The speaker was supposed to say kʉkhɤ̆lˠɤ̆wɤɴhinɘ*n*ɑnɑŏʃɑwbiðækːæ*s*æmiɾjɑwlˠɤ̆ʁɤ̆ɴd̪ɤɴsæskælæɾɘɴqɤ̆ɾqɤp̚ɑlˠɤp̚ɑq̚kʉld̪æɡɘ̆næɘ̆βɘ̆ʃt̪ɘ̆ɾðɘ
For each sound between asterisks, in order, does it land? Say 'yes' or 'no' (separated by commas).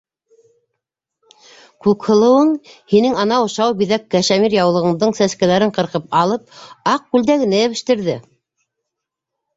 no, no